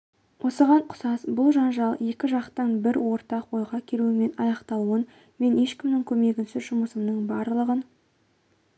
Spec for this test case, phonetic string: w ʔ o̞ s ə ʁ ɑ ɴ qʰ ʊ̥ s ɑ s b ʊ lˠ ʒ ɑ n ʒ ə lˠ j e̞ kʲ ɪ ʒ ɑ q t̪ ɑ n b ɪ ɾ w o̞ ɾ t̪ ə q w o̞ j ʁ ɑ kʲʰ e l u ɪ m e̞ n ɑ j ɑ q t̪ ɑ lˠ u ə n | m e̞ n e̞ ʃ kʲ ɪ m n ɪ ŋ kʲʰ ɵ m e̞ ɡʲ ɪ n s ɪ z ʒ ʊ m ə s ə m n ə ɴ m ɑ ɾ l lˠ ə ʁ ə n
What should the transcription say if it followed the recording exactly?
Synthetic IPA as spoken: w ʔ o̞ s ə ʁ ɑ ɴ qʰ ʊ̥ s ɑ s b ʊ lˠ ʒ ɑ n ʒ ɑ lˠ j e̞ kʲ ɪ ʒ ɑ q t̪ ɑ n b ɪ ɾ w o̞ ɾ t̪ ɑ q w o̞ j ʁ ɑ kʲʰ e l u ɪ m e̞ n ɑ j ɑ q t̪ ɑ lˠ u ə n | m e̞ n e̞ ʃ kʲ ɪ m n ɪ ŋ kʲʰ ɵ m e̞ ɡʲ ɪ n s ɪ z ʒ ʊ m ə s ə m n ə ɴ b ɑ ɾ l lˠ ə ʁ ə n